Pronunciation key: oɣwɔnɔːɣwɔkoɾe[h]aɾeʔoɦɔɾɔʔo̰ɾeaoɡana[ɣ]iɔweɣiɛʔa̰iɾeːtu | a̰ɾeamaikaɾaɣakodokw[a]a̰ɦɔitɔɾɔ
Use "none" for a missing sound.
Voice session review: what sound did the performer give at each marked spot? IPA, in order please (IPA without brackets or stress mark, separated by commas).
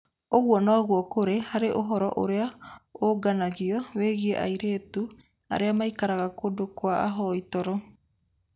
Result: h, ɣ, a